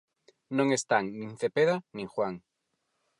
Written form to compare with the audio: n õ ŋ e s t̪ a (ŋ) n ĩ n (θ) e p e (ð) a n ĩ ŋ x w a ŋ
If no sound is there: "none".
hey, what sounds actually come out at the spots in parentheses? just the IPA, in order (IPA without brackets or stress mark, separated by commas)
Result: ŋ, θ, ð